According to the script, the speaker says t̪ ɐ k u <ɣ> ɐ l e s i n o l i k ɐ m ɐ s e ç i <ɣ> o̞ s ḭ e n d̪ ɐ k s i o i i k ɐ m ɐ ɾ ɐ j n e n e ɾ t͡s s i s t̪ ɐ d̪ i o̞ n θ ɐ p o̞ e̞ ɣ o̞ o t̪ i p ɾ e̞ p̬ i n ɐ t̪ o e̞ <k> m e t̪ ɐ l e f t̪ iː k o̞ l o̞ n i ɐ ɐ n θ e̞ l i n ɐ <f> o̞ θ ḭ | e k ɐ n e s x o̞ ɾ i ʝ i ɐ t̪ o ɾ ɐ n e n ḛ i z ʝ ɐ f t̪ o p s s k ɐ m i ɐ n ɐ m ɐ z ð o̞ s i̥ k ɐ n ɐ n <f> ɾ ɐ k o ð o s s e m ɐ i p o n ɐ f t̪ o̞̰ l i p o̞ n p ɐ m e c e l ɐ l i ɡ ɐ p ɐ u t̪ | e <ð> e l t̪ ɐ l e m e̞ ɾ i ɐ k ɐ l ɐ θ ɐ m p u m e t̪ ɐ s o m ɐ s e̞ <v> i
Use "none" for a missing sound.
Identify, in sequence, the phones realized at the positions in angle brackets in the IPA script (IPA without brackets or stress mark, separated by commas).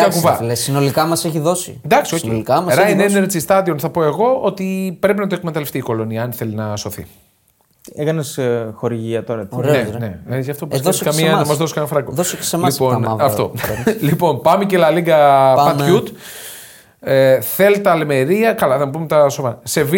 v, ð, k, s, f, θ, v